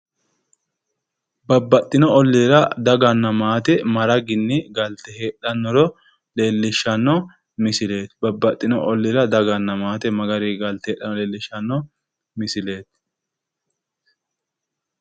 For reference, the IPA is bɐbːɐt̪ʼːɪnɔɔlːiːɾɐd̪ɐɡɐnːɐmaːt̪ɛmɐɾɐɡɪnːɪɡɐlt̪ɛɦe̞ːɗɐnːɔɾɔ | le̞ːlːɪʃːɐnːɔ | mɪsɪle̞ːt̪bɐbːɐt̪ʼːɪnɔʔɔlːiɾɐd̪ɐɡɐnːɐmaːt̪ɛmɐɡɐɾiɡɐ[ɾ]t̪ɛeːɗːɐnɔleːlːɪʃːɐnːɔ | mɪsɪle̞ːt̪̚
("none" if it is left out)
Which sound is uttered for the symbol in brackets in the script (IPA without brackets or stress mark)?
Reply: l